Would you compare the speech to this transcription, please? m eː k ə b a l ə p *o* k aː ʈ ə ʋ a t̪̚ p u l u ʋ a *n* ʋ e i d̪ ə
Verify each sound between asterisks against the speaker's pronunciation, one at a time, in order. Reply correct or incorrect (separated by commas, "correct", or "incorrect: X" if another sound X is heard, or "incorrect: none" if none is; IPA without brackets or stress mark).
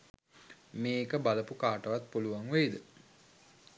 incorrect: u, incorrect: ŋ